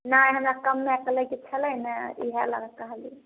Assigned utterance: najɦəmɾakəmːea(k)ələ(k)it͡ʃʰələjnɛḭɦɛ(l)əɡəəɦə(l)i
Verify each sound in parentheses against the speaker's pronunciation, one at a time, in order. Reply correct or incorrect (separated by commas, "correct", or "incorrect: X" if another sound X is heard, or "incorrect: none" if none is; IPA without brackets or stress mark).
correct, correct, correct, correct